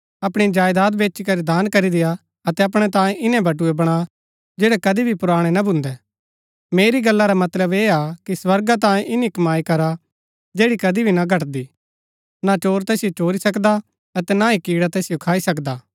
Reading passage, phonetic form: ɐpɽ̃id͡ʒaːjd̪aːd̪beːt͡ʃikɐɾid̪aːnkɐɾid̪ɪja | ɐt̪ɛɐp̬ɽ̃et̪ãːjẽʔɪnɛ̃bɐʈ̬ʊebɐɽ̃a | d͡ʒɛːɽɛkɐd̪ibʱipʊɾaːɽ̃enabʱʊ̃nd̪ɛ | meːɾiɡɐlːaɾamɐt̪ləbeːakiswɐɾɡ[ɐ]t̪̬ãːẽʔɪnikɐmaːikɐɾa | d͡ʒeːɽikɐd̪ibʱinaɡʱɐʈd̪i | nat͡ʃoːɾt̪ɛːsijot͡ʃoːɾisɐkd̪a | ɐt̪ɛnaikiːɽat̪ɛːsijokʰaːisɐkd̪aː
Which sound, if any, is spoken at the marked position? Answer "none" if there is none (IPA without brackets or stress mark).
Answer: a